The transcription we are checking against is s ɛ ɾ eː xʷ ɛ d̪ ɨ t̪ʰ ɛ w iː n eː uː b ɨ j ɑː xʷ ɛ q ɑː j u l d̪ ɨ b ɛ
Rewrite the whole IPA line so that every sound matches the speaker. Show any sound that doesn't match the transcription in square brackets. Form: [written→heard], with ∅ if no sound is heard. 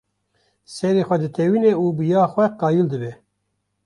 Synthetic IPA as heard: s ɛ ɾ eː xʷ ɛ d̪ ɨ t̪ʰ ɛ w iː n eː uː b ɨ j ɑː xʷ ɛ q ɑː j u l d̪ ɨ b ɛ

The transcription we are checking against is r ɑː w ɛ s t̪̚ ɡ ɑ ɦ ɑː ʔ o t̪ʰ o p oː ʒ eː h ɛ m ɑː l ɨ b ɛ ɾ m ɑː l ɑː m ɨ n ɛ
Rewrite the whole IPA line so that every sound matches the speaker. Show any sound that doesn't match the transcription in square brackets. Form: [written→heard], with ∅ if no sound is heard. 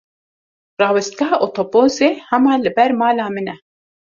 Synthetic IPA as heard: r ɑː w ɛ s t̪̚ ɡ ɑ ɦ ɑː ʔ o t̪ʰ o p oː [ʒ→z] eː h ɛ m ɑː l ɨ b ɛ ɾ m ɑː l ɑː m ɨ n ɛ

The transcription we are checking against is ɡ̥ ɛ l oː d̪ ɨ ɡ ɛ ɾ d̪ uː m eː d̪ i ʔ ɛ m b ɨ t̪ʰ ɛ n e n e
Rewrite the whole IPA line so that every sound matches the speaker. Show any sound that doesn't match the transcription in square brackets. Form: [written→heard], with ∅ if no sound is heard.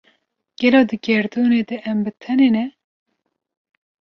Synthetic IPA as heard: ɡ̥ ɛ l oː d̪ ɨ ɡ ɛ ɾ d̪ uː [m→n] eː d̪ [i→ɛ] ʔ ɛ m b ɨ t̪ʰ ɛ n e n [e→ɛ]

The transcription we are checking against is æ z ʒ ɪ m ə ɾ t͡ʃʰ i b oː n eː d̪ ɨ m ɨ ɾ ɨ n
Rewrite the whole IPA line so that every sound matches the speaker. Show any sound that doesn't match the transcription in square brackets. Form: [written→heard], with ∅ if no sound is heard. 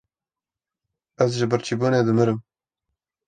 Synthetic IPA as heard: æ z ʒ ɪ [m→b] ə ɾ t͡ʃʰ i b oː n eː d̪ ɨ m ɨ ɾ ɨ [n→m]

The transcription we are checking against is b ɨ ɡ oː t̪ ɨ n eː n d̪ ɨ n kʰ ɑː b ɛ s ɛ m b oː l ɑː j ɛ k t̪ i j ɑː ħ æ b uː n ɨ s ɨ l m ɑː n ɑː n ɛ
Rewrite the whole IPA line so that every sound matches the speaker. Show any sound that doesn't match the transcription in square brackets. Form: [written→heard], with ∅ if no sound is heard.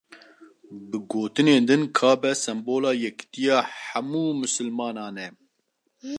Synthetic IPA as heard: b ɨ ɡ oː t̪ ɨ n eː n d̪ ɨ n kʰ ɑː b ɛ s ɛ m b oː l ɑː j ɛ k t̪ i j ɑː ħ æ [b→m] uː [n→m] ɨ s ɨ l m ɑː n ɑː n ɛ

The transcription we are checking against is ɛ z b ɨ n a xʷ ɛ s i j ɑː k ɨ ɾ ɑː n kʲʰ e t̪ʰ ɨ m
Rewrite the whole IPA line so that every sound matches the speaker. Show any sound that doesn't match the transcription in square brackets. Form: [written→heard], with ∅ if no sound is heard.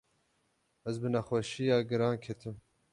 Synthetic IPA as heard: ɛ z b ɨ n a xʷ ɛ [s→ʃ] i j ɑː [k→ɡ] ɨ ɾ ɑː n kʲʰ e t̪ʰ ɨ m

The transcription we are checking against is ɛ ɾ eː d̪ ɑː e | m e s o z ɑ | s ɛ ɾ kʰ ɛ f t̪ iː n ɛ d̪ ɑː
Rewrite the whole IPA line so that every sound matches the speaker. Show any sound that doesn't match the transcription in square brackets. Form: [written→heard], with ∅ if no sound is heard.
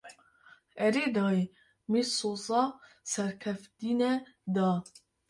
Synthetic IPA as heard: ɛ ɾ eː d̪ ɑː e | m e s o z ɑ | s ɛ ɾ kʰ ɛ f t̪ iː n ɛ d̪ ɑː

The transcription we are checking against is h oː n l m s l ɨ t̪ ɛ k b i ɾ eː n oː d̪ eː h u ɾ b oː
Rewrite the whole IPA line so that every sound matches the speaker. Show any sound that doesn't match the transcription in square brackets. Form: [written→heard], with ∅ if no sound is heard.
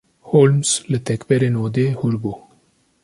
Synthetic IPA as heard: h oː [n→∅] l m s l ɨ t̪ ɛ k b [i→ɛ] ɾ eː n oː d̪ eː h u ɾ b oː

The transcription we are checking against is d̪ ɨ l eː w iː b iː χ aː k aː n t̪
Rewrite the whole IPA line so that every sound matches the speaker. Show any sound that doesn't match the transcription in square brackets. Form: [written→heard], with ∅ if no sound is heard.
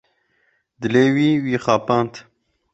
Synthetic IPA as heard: d̪ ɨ l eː w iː [b→w] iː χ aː [k→p] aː n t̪

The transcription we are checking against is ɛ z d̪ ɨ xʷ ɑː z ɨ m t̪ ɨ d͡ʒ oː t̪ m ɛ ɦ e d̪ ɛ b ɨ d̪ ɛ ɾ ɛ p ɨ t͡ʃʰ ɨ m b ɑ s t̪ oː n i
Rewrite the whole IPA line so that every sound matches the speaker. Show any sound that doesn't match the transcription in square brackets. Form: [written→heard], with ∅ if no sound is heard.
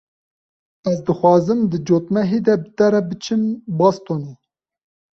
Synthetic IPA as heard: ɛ z d̪ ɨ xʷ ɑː z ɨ m [t̪→d̪] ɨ d͡ʒ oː t̪ m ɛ ɦ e d̪ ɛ b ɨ [d̪→t̪] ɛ ɾ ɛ [p→b] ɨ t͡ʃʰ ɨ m b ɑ s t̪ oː n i

